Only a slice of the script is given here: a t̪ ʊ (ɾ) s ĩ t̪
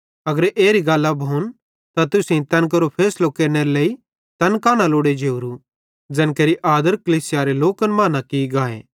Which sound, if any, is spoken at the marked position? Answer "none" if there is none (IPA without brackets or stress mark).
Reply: none